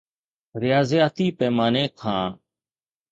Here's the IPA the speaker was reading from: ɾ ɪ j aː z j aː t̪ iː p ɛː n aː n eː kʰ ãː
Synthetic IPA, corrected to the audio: ɾ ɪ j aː z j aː t̪ iː p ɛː m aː n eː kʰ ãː